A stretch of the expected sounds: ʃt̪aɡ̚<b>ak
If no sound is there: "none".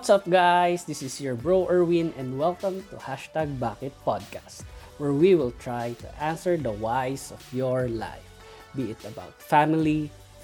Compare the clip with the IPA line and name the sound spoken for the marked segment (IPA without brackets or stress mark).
b